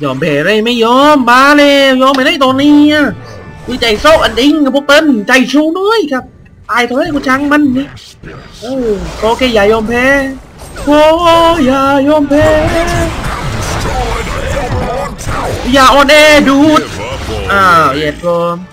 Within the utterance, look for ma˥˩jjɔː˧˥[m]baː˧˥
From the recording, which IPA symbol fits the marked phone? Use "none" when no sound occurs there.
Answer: m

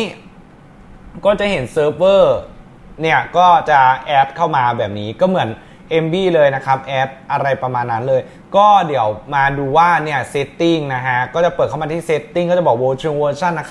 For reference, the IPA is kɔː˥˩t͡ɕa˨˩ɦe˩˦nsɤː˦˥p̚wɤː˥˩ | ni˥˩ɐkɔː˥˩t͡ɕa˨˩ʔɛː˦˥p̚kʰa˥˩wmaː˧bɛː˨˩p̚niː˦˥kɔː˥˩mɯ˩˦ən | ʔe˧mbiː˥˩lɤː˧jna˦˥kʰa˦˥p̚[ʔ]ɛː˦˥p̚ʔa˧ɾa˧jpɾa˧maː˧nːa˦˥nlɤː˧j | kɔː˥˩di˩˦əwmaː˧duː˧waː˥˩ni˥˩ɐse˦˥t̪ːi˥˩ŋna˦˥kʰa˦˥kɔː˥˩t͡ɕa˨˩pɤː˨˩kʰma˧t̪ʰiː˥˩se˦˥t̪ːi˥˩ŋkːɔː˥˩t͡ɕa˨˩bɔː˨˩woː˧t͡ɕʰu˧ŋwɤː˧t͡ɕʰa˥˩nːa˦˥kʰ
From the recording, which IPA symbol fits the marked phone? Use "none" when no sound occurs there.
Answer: ʔ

